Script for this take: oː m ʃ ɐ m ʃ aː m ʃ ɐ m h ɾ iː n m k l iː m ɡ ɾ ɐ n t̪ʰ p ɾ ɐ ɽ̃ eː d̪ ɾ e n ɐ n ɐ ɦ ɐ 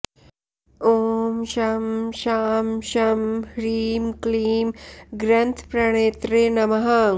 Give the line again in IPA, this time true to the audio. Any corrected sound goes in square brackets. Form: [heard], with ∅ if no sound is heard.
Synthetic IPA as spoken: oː m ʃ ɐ m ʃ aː m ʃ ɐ m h ɾ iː [∅] m k l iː m ɡ ɾ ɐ n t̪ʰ p ɾ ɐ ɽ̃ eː [t̪] ɾ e n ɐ [m] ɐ ɦ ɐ